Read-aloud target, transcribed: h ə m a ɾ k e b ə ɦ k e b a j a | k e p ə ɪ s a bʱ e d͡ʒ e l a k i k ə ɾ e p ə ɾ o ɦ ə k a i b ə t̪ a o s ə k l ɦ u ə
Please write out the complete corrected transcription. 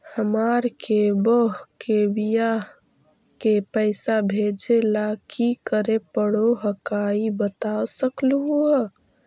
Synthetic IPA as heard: h ə m a ɾ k e b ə ɦ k e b i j a | k e p ə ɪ s a bʱ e d͡ʒ e l a k i k ə ɾ e p ə ɽ o ɦ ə k a i b ə t̪ a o s ə k l ɦ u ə